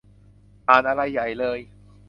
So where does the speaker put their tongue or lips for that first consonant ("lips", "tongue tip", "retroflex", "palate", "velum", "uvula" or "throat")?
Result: throat